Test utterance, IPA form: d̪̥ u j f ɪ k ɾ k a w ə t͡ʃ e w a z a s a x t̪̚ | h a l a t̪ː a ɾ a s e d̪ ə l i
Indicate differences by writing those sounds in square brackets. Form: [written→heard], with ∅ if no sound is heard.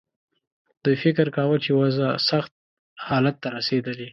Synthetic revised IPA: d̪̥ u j f ɪ k ɾ k a w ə t͡ʃ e w a z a s a x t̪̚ | h [a→ɑ] l a t̪ː a ɾ a s e d̪ ə l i